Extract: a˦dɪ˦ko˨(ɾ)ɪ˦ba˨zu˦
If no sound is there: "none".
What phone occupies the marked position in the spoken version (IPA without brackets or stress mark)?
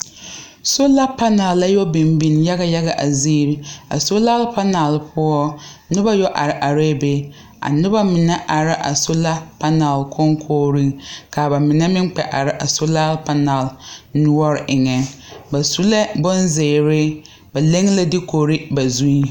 ɾ